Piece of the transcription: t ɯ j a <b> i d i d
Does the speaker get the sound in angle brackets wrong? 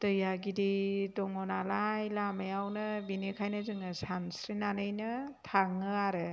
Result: yes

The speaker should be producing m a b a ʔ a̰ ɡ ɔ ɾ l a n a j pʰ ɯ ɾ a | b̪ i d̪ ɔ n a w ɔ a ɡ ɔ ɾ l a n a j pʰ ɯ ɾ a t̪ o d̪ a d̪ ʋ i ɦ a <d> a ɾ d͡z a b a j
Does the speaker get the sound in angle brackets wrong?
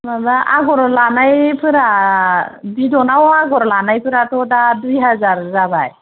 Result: yes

